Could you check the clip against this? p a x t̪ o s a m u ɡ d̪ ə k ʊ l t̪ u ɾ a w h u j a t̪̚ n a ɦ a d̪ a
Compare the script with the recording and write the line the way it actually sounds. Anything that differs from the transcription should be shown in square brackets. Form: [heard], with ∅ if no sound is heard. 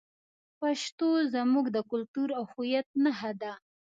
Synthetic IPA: p a [ʃ] t̪ o [z] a m u ɡ d̪ ə k ʊ l t̪ u ɾ a w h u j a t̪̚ n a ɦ a d̪ a